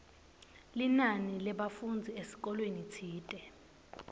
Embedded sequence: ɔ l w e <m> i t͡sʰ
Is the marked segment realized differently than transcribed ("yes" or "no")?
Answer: yes